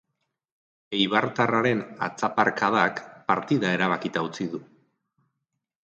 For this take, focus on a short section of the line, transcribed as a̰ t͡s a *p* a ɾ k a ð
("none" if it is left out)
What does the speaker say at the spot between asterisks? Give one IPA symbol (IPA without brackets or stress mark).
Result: p